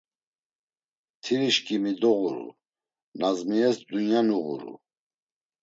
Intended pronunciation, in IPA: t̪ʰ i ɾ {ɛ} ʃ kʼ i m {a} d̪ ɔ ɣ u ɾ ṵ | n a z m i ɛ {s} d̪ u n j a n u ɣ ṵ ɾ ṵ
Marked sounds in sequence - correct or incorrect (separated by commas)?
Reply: incorrect, incorrect, correct